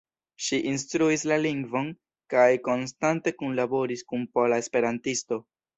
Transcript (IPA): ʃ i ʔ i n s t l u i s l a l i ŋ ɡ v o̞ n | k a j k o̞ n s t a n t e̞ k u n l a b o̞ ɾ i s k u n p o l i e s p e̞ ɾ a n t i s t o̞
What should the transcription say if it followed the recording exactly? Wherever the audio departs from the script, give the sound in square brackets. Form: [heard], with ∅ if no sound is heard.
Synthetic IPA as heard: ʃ i ʔ i n s t [ɾ] u i s l a l i ŋ ɡ v o̞ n | k a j k o̞ n s t a n t e̞ k u n l a b o̞ ɾ i s k u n p o l [a] e s p e̞ ɾ a n t i s t o̞